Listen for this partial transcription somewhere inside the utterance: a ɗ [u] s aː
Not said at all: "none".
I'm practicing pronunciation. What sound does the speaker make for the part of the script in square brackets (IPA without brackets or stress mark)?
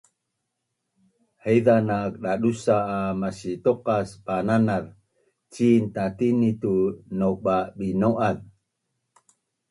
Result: u